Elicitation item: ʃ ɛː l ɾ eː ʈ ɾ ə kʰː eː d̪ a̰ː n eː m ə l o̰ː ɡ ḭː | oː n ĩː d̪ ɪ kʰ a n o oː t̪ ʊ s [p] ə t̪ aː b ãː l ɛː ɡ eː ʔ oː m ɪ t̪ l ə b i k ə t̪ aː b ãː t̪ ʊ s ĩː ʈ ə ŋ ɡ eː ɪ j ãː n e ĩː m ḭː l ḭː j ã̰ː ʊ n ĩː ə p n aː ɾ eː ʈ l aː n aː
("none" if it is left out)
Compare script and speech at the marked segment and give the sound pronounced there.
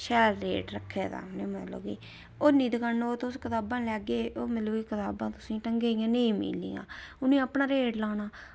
k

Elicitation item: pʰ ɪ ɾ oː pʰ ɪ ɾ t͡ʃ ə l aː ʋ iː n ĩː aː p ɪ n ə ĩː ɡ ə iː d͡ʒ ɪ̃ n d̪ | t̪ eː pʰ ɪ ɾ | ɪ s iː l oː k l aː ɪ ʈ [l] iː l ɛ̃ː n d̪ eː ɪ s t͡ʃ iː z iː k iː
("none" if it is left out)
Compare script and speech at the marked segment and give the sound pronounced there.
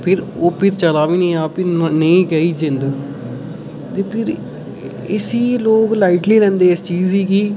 l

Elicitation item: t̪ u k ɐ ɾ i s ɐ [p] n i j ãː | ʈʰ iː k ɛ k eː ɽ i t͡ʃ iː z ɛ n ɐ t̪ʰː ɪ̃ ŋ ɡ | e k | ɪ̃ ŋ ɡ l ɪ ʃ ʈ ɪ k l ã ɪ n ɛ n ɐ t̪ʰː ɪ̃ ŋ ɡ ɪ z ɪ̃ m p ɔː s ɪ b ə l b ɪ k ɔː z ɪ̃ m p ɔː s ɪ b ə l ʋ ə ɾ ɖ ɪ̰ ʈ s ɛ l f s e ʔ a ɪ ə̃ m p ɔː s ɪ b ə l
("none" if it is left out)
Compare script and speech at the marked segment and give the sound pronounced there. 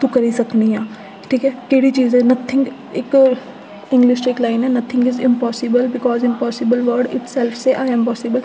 k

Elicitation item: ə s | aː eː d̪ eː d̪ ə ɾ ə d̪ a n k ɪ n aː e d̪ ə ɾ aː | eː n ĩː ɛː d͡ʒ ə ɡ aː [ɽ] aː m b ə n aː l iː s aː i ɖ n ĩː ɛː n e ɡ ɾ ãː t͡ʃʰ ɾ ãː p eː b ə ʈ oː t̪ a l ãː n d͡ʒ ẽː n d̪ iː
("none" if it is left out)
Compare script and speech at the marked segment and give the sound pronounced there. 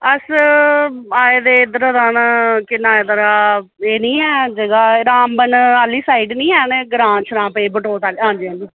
ɾ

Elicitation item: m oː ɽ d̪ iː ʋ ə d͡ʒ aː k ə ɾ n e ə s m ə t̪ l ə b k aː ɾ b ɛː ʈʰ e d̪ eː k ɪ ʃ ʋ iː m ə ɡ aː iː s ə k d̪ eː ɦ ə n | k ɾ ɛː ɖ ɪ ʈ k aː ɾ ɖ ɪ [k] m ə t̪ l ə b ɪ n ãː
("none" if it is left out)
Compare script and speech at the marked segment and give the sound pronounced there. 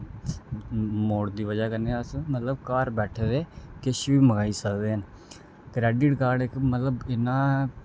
k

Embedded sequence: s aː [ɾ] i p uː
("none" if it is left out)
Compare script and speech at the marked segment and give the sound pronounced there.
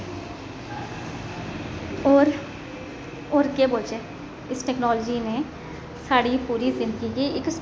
ɽ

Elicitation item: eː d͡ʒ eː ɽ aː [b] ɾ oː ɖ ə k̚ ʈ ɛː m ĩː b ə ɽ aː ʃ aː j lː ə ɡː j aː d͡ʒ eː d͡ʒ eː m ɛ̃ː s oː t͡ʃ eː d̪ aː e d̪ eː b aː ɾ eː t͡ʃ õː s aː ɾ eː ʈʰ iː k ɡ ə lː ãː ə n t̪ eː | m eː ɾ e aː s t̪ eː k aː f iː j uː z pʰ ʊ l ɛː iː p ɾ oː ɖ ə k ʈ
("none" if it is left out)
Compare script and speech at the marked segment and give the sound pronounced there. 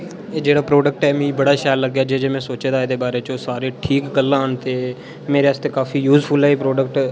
p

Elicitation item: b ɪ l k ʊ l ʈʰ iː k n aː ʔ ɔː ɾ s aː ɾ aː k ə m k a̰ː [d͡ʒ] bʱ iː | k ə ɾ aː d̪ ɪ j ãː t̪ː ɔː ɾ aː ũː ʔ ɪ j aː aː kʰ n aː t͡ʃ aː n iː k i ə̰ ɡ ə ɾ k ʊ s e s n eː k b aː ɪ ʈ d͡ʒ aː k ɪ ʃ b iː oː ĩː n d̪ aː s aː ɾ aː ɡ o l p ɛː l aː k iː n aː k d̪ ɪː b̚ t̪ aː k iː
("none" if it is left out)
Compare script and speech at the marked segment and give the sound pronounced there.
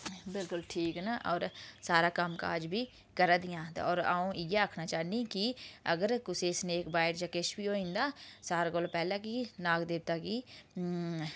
d͡ʒ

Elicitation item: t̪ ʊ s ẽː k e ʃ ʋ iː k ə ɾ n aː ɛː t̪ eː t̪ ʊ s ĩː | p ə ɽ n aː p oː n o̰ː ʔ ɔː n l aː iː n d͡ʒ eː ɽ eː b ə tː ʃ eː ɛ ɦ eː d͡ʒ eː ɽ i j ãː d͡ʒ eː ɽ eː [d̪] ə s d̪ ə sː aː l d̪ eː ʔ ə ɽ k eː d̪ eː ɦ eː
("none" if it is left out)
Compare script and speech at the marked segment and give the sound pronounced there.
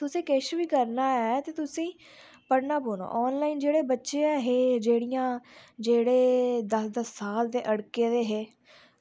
d̪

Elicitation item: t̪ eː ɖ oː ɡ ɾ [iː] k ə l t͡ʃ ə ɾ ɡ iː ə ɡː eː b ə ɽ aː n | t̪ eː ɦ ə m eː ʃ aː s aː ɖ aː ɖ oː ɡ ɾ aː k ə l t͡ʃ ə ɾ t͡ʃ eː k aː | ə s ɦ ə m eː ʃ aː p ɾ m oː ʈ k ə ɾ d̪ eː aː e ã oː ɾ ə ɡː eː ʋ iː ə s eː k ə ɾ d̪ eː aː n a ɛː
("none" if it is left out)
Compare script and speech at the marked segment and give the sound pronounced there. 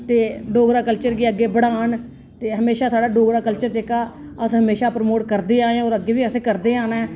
aː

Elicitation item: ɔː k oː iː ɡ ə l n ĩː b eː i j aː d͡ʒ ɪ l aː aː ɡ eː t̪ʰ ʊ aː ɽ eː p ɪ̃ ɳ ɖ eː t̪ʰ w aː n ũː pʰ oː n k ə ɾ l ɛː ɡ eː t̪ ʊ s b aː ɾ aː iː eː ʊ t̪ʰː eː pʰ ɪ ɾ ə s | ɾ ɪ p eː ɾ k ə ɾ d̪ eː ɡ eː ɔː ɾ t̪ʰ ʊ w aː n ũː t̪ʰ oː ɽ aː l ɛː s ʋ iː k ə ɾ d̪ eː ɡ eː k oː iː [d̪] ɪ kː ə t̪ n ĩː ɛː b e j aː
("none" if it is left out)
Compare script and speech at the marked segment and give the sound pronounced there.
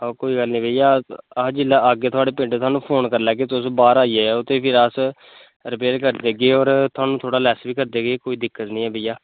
d̪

